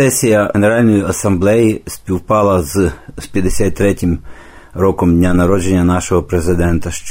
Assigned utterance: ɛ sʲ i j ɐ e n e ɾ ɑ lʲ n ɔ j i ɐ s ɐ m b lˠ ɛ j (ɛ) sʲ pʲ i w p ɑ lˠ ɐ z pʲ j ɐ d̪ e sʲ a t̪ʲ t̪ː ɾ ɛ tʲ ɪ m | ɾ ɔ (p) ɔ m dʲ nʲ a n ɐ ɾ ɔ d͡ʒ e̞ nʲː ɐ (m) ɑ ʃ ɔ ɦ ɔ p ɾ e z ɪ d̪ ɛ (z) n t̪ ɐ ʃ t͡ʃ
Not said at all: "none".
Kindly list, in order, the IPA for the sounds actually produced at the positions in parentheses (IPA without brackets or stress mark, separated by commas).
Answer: i, k, n, none